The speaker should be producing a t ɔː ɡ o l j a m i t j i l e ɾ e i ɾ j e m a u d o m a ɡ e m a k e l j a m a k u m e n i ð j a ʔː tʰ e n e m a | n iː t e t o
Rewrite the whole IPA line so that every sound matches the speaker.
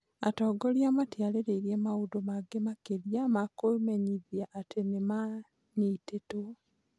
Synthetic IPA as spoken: a t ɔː ɡ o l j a m a t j a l e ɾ e i ɾ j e m a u d o m a ɡ e m a k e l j a m a k o m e ɲ i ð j a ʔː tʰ e n e m a | n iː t e t o